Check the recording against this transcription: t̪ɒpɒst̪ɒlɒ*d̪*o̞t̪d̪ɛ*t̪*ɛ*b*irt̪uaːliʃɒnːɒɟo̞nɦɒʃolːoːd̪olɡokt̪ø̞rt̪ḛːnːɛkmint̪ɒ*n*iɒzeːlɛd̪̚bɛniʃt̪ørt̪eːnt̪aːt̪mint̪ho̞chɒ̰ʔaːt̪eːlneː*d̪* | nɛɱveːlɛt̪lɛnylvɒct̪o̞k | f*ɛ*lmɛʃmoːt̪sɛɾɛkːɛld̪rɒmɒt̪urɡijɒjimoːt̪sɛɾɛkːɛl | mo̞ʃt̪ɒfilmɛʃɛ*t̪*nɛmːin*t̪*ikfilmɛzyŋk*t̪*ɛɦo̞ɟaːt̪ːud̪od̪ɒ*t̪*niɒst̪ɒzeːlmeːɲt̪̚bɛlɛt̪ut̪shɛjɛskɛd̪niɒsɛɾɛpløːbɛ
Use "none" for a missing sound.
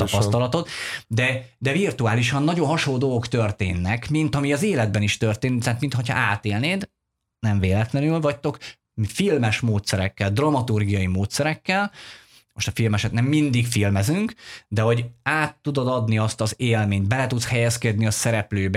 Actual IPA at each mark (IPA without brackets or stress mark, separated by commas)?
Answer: t̪, d̪, v, m, d̪, i, t̪, d̪, d̪, d̪